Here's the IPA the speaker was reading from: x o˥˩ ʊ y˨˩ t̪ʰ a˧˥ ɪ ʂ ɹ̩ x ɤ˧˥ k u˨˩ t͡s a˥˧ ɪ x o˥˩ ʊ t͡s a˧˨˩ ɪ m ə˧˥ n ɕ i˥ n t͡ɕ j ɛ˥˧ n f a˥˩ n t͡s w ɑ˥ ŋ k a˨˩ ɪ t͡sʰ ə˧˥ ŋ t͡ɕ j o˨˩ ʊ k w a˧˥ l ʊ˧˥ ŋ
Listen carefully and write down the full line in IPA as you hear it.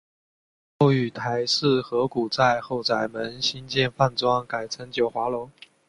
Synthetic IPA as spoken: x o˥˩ ʊ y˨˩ t̪ʰ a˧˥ ɪ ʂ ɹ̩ x ɤ˧˥ k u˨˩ t͡s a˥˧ ɪ x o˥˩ ʊ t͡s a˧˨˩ ɪ m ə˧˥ n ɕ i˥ n t͡ɕ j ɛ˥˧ n f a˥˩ n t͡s w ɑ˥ ŋ k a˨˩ ɪ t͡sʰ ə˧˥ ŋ t͡ɕ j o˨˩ ʊ x w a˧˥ l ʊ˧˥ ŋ

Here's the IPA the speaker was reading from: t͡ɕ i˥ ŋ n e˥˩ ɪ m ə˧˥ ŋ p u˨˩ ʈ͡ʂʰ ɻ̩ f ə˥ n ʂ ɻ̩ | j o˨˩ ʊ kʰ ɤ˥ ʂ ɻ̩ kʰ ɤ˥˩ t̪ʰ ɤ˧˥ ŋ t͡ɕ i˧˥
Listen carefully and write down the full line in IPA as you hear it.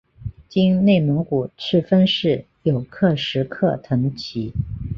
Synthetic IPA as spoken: t͡ɕ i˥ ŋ n e˥˩ ɪ m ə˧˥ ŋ k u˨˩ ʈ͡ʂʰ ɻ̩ f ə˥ n ʂ ɻ̩ | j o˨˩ ʊ kʰ ɤ˥˩ ʂ ɻ̩ kʰ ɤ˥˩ t̪ʰ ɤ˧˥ ŋ t͡ɕʰ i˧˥

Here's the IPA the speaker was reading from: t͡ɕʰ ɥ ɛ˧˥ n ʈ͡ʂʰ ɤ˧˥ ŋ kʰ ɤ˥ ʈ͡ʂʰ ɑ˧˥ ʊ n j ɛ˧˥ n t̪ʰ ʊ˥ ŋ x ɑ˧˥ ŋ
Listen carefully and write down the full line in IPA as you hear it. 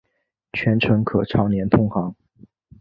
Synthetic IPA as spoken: t͡ɕʰ ɥ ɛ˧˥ n ʈ͡ʂʰ ɤ˧˥ ŋ kʰ ɤ˨˩ ʈ͡ʂʰ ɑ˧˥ ʊ n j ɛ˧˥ n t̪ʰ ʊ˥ ŋ x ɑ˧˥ ŋ

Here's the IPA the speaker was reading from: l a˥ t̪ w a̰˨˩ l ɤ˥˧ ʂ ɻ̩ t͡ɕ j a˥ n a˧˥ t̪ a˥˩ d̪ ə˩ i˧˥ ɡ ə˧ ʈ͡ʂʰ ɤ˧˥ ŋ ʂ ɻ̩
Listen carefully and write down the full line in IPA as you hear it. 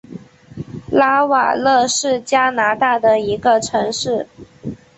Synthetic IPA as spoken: l a˥ w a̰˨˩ l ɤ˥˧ ʂ ɻ̩ t͡ɕ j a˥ n a˧˥ t̪ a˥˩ d̪ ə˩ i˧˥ ɡ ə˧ ʈ͡ʂʰ ɤ˧˥ ŋ ʂ ɻ̩

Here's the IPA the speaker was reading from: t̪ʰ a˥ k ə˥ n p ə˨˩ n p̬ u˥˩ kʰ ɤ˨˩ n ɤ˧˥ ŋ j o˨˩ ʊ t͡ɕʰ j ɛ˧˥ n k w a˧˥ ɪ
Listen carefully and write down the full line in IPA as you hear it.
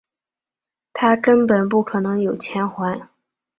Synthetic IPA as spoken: t̪ʰ a˥ k ə˥ n p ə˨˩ n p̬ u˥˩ kʰ ɤ˨˩ n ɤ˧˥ ŋ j o˨˩ ʊ t͡ɕʰ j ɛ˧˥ n x w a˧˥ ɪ

